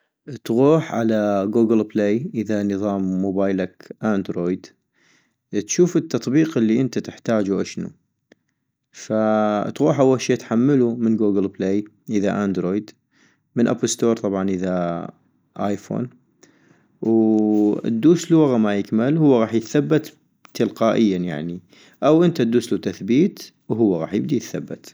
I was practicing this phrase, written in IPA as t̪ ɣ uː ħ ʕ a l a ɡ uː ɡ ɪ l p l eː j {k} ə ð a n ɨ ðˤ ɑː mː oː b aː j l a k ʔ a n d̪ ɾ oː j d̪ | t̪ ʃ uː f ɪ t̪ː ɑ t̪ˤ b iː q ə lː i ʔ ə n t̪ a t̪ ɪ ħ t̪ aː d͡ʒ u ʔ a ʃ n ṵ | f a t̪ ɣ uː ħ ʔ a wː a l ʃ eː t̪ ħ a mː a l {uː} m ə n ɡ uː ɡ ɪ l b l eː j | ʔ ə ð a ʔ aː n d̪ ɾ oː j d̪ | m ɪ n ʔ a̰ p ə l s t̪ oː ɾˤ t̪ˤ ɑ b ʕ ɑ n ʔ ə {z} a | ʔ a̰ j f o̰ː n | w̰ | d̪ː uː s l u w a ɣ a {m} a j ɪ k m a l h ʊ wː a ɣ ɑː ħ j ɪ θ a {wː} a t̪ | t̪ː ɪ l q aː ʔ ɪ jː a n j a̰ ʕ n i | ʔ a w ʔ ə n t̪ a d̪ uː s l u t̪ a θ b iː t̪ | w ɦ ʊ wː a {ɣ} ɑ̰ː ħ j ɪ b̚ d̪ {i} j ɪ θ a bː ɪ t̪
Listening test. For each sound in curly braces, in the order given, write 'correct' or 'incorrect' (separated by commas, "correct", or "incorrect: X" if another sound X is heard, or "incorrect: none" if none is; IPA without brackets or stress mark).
incorrect: ʔ, incorrect: u, incorrect: ð, correct, incorrect: bː, correct, correct